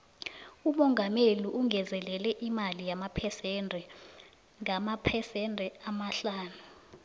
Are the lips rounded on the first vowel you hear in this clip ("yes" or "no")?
yes